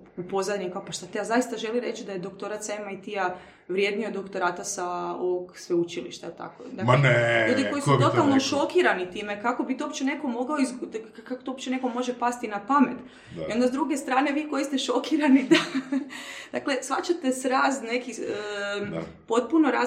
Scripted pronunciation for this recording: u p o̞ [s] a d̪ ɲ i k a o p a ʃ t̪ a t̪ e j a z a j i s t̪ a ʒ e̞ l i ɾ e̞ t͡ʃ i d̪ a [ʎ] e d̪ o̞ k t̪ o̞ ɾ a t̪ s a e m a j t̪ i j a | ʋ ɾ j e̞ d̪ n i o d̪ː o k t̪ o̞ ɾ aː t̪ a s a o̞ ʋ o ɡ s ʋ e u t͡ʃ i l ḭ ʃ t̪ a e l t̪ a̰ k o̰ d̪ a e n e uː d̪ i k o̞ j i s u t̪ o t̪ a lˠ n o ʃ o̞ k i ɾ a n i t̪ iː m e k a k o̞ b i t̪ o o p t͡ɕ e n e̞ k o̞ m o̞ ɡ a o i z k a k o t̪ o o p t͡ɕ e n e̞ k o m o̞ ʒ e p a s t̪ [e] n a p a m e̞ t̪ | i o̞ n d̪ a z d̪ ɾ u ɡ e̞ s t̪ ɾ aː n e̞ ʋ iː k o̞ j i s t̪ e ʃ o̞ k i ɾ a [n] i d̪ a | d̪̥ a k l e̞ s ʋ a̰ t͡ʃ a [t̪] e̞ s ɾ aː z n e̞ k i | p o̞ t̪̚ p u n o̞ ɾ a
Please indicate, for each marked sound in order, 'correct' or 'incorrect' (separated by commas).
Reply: incorrect, incorrect, incorrect, correct, correct